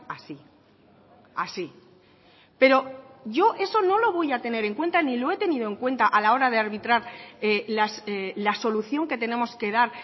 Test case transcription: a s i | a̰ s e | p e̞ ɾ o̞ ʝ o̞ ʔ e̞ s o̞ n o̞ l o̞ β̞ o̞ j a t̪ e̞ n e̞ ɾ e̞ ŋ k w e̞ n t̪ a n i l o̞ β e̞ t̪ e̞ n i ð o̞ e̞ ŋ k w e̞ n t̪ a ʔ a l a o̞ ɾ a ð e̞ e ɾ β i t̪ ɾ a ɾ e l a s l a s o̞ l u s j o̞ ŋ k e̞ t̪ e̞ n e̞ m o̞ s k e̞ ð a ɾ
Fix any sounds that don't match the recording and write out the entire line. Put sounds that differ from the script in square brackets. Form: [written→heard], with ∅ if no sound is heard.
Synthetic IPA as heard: a s i | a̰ s [e→i] | p e̞ ɾ o̞ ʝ o̞ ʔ e̞ s o̞ n o̞ l o̞ β̞ o̞ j a t̪ e̞ n e̞ ɾ e̞ ŋ k w e̞ n t̪ a n i l o̞ [β→∅] e̞ t̪ e̞ n i ð o̞ e̞ ŋ k w e̞ n t̪ a ʔ a l a o̞ ɾ a ð e̞ [e→a] ɾ β i t̪ ɾ a ɾ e l a s l a s o̞ l u [s→θ] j o̞ ŋ k e̞ t̪ e̞ n e̞ m o̞ s k e̞ ð a ɾ